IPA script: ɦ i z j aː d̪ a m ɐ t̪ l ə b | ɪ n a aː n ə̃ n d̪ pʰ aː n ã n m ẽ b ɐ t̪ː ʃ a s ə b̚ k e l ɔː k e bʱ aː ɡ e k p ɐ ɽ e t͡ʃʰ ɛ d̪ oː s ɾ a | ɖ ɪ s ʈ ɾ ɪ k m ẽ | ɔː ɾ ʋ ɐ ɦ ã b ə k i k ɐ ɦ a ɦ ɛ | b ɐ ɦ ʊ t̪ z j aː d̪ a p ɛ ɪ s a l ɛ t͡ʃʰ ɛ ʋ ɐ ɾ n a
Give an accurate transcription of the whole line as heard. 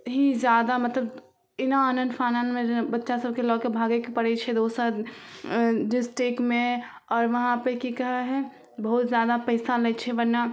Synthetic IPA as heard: ɦ i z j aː d̪ a m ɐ t̪ l ə b | ɪ n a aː n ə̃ n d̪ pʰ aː n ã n m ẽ b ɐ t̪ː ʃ a s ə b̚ k e l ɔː k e bʱ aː ɡ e k p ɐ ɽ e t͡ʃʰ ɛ d̪ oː s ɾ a | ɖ ɪ s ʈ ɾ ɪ k m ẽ | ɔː ɾ ʋ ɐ ɦ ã p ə k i k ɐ ɦ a ɦ ɛ | b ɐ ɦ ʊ t̪ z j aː d̪ a p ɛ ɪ s a l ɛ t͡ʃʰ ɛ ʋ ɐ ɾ n a

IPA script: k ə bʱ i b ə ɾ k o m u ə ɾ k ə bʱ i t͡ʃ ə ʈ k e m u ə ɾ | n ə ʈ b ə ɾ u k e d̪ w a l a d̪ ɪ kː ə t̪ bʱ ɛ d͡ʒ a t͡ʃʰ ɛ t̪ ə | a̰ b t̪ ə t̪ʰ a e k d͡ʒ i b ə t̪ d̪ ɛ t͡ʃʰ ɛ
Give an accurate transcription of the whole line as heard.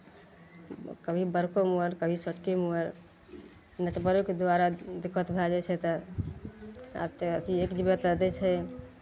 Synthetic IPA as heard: k ə bʱ i b ə ɾ k o m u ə ɾ k ə bʱ i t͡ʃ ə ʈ k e m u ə ɾ | n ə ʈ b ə ɾ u k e d̪ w a ɾ a d̪ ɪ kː ə t̪ bʱ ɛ d͡ʒ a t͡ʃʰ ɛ t̪ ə | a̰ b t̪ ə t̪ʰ i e k d͡ʒ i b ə t̪ d̪ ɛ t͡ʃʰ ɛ

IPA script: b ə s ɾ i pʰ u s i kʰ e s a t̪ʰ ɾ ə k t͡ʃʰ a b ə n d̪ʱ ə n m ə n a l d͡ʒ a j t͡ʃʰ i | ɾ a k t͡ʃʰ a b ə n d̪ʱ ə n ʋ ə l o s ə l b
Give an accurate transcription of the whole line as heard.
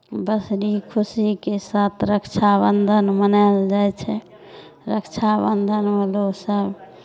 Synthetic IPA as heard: b ə s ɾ i kʰ u s i k e s a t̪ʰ ɾ ə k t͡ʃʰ a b ə n d̪ʱ ə n m ə n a l d͡ʒ a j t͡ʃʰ ɛ | ɾ ə k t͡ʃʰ a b ə n d̪ʱ ə n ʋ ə l o s ə b

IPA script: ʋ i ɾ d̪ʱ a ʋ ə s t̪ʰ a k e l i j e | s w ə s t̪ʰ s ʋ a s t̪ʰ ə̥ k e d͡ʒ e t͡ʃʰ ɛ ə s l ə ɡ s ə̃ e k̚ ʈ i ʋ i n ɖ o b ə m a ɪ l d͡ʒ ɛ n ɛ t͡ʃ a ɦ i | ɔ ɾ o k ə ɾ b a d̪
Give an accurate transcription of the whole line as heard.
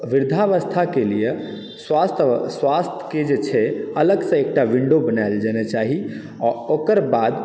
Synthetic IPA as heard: ʋ i ɾ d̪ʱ a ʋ ə s t̪ʰ a k e l i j e | s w a s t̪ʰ s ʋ a s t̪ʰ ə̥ k e d͡ʒ e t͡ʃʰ ɛ ə l ə ɡ s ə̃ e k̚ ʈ a ʋ i ɳ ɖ o b ə n a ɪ l d͡ʒ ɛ n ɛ t͡ʃ a ɦ i | ɔ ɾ o k ə ɾ b a d̪

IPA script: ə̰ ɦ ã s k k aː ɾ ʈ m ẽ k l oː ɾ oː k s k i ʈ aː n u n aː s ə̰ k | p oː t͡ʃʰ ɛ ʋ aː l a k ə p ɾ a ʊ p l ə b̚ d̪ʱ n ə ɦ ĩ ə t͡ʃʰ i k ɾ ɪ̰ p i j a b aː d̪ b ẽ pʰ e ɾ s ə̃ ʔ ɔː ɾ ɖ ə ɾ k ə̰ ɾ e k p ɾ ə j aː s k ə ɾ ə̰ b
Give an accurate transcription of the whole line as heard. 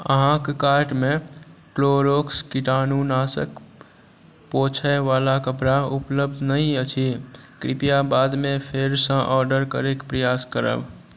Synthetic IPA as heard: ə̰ ɦ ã k k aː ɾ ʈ m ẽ k l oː ɾ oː k s k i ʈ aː n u n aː s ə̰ k | p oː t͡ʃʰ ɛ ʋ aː l a k ə p ɾ a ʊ p l ə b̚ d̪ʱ n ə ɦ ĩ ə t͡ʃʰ i k ɾ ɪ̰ p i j a b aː d̪ m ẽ pʰ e ɾ s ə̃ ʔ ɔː ɾ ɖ ə ɾ k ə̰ ɾ e k p ɾ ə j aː s k ə ɾ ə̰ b

